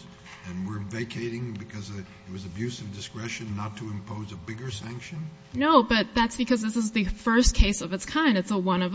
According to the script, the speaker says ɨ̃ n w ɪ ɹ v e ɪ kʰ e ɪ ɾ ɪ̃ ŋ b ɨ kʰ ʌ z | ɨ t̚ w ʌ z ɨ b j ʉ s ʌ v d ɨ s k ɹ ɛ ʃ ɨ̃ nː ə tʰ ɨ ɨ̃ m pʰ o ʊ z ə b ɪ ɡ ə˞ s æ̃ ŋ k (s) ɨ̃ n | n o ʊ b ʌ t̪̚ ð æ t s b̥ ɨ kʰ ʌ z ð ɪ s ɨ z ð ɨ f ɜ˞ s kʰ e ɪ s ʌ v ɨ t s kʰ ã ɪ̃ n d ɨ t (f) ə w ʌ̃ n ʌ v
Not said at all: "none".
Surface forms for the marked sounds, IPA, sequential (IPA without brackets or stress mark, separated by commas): ʃ, s